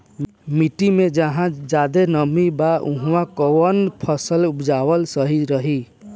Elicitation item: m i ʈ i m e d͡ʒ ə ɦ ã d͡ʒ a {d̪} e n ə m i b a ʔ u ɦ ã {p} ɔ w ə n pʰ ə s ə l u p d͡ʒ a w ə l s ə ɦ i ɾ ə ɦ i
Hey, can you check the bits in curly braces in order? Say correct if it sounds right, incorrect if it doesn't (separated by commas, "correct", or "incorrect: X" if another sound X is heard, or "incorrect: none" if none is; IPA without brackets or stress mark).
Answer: correct, incorrect: k